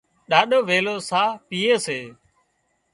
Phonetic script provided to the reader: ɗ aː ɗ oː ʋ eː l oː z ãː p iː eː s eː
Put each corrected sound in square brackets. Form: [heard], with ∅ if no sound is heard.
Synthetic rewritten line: ɗ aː ɗ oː ʋ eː l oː [s] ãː p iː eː s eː